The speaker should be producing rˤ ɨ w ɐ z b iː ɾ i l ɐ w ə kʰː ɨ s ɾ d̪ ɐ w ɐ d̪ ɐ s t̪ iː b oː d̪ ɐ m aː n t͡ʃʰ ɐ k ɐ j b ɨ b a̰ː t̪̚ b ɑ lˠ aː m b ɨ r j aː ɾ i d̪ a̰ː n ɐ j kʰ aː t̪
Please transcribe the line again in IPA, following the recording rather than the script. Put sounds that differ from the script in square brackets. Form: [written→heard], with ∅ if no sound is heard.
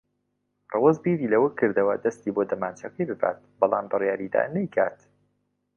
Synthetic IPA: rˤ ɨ w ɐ z b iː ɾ i l ɐ w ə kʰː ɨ [s→∅] ɾ d̪ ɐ w ɐ d̪ ɐ s t̪ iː b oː d̪ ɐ m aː n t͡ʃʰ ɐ k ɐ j b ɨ b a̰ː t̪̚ b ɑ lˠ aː m b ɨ r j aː ɾ i d̪ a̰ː n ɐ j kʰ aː t̪